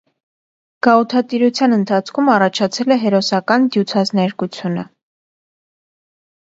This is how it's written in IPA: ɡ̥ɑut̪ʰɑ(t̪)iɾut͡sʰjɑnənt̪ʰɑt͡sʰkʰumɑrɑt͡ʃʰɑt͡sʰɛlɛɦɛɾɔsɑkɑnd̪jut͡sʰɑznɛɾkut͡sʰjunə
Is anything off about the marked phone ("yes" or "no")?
no